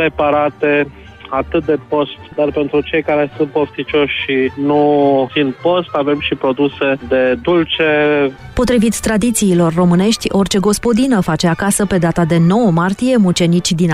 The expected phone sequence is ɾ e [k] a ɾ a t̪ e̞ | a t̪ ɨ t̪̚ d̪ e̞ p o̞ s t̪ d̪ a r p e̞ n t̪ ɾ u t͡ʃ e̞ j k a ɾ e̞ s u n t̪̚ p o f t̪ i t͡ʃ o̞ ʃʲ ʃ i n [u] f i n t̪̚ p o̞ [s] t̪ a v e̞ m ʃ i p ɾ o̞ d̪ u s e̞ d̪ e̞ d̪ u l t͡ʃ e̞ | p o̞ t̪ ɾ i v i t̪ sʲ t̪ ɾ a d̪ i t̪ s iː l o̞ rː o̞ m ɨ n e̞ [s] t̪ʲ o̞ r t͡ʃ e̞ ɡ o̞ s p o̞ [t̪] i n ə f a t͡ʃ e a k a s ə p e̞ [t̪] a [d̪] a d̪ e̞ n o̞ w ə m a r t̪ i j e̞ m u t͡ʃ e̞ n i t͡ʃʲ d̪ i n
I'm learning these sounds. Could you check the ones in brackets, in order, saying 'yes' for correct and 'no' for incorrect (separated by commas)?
no, yes, yes, no, no, no, no